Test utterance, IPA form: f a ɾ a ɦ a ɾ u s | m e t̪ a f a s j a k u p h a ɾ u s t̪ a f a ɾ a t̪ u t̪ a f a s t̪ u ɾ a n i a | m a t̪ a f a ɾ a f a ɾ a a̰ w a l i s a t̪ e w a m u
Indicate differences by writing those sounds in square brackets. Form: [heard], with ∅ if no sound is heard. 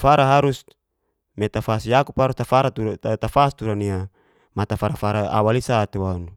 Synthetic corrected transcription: f a ɾ a ɦ a ɾ u s | m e t̪ a f a s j a k u p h a ɾ u s t̪ a f a ɾ a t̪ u t̪ a f a s t̪ u ɾ a n i a | m a t̪ a f a ɾ a f a ɾ a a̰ w a l i s a t̪ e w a [n] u